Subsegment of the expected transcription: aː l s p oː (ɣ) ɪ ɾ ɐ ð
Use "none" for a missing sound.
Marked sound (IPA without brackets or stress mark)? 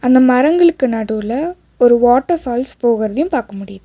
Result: ɣ